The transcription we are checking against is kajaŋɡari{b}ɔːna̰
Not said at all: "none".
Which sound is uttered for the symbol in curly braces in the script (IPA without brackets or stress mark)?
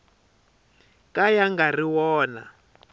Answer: w